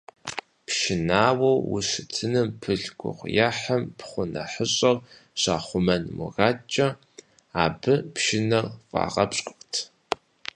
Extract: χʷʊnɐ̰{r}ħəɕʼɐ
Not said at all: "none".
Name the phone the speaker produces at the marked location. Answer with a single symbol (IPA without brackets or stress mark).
none